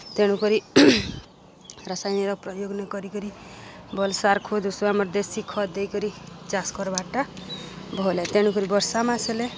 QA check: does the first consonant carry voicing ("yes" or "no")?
no